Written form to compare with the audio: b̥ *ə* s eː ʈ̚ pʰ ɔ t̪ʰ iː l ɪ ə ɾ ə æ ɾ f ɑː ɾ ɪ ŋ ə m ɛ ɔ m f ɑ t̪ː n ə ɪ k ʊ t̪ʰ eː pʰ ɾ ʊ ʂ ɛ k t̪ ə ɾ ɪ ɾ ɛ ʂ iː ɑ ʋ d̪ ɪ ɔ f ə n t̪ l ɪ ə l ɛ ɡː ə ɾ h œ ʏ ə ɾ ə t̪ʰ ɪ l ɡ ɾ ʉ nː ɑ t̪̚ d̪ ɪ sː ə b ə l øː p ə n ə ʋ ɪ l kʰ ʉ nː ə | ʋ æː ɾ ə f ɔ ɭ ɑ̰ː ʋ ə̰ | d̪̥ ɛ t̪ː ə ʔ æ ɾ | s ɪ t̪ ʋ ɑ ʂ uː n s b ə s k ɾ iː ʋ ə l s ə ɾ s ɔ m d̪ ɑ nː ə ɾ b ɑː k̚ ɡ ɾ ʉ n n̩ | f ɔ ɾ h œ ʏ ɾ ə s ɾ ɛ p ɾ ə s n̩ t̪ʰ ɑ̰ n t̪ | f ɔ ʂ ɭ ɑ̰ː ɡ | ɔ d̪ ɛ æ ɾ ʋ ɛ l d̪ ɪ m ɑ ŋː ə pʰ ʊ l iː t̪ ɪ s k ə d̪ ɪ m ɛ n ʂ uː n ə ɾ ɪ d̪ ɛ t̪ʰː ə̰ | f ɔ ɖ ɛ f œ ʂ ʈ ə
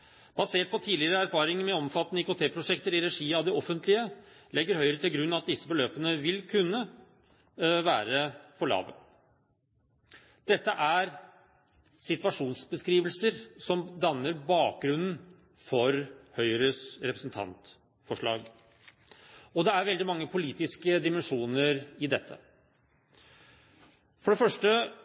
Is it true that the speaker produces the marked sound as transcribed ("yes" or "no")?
no